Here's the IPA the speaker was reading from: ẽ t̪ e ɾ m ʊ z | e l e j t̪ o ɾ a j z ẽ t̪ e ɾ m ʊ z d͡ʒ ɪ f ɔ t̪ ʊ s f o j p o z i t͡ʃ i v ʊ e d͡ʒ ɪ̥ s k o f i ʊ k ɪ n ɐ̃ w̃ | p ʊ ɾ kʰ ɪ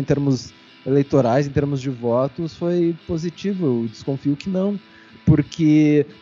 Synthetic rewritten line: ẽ t̪ e ɾ m ʊ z | e l e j t̪ o ɾ a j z ẽ t̪ e ɾ m ʊ z d͡ʒ ɪ v ɔ t̪ ʊ s f o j p o z i t͡ʃ i v ʊ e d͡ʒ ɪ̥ s k õ f i ʊ k ɪ n ɐ̃ w̃ | p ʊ ɾ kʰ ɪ